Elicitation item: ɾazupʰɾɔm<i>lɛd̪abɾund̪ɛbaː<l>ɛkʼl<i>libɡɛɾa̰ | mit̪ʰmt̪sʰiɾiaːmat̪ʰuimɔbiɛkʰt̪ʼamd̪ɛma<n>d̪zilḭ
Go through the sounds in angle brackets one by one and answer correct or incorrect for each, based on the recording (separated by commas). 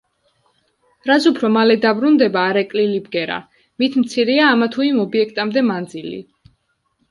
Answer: incorrect, incorrect, correct, correct